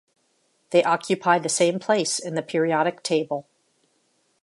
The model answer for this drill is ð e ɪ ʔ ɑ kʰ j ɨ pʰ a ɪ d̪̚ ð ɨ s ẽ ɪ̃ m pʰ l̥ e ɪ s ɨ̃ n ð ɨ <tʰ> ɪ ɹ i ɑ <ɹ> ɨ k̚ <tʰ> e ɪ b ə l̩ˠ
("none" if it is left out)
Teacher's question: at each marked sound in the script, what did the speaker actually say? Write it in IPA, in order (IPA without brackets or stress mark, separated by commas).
pʰ, ɾ, tʰ